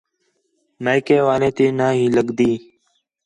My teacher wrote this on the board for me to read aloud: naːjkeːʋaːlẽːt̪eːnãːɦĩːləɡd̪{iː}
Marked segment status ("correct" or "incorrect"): correct